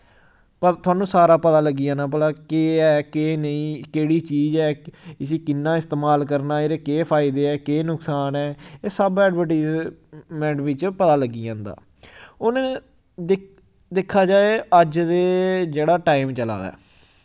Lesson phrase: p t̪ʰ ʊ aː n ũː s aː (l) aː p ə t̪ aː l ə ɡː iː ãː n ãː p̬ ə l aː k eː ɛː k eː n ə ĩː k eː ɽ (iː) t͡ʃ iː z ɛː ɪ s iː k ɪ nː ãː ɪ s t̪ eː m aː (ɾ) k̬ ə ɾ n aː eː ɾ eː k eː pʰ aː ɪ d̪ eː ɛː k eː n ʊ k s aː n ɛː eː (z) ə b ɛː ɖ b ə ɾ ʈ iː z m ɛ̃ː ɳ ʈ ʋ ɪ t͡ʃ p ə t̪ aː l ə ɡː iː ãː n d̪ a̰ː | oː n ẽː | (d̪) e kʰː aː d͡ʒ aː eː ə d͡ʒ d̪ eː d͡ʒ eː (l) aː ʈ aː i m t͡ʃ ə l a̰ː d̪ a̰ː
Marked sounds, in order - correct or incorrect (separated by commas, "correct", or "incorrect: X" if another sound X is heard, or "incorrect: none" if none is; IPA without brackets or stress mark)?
incorrect: ɾ, correct, incorrect: l, incorrect: s, correct, incorrect: ɽ